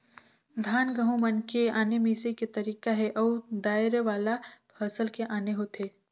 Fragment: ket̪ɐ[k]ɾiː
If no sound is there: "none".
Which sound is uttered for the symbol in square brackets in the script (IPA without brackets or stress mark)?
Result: none